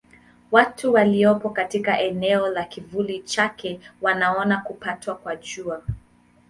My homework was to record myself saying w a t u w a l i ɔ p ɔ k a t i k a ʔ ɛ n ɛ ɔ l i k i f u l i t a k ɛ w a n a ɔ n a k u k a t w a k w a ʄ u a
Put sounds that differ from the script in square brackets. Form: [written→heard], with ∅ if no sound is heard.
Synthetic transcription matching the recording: w a t u w a l i ɔ p ɔ k a t i k a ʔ ɛ n ɛ ɔ l [i→a] k i [f→v] u l i [t→t͡ʃ] a k ɛ w a n a ɔ n a k u [k→p] a t w a k w a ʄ u a